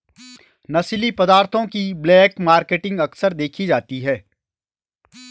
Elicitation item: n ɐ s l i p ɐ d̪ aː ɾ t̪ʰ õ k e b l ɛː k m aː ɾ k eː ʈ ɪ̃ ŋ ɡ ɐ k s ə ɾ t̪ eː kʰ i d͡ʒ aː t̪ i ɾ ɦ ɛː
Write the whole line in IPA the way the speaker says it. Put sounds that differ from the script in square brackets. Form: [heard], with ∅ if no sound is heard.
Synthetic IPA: n ɐ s l i p ɐ d̪ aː ɾ t̪ʰ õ k [i] b l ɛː k m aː ɾ k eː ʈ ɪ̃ ŋ ɡ ɐ k s ə ɾ [d̪] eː kʰ i d͡ʒ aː t̪ i [∅] ɦ ɛː